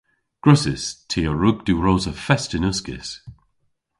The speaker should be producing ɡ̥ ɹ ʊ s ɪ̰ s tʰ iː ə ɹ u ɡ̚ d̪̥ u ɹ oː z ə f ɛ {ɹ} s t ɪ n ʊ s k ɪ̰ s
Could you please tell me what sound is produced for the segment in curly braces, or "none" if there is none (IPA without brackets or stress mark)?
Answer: none